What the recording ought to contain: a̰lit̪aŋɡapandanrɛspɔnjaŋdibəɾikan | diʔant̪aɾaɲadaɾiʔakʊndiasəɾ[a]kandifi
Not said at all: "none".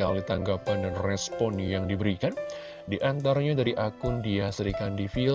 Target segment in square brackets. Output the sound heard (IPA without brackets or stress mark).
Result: i